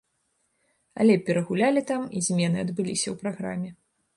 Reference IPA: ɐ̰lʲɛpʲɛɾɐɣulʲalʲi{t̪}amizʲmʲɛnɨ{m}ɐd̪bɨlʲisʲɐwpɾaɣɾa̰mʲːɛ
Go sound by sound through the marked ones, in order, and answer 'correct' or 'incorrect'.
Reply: correct, incorrect: none

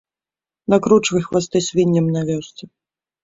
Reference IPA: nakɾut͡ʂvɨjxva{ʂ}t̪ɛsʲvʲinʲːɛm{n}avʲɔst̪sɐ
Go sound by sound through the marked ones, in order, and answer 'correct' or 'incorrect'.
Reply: incorrect: s, correct

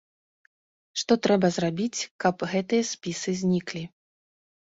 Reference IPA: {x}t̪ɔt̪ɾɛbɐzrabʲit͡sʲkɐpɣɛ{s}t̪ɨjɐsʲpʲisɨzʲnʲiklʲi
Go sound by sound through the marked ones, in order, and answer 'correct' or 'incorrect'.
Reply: incorrect: ʂ, incorrect: none

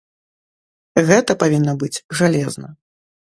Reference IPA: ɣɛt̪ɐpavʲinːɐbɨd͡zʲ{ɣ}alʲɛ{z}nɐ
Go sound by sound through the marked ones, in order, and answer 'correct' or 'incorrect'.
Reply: incorrect: ʐ, correct

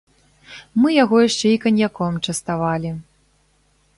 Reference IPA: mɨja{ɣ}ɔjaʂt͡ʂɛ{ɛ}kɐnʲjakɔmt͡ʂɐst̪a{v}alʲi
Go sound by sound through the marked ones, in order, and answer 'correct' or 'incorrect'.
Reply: correct, incorrect: i, correct

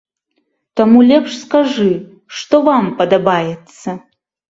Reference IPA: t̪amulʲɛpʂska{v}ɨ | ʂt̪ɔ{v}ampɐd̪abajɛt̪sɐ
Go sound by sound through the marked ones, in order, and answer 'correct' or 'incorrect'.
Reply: incorrect: ʐ, correct

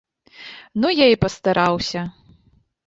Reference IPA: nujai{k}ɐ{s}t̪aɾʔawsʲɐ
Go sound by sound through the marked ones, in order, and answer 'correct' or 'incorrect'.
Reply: incorrect: p, correct

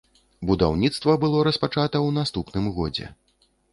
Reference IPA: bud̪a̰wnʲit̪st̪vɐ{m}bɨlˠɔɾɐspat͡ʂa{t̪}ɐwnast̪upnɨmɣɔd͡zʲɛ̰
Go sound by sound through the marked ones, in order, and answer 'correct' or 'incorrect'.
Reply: incorrect: none, correct

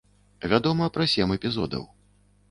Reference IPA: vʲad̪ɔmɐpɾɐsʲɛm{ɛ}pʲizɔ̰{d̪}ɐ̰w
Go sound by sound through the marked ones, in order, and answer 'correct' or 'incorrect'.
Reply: correct, correct

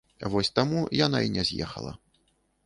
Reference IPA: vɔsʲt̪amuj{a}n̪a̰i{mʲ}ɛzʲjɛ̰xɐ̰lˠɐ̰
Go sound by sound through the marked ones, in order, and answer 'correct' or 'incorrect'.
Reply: correct, incorrect: nʲ

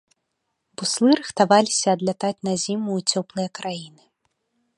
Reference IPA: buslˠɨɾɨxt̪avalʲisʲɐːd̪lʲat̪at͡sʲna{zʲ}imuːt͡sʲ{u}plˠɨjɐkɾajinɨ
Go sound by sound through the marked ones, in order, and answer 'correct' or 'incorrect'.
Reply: correct, incorrect: ɔ

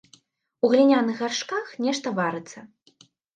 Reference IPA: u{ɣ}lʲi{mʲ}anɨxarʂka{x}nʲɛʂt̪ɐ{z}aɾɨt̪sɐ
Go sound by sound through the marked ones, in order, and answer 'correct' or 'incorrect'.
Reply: correct, incorrect: nʲ, correct, incorrect: v

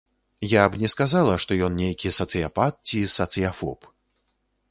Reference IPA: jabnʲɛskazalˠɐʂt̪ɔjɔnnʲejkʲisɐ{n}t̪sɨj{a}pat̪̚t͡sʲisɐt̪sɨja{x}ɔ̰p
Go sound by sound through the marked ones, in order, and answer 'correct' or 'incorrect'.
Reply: incorrect: none, correct, incorrect: f

